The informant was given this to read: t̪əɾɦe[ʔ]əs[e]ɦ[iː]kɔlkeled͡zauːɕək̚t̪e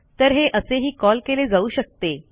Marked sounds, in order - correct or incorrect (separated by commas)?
correct, correct, correct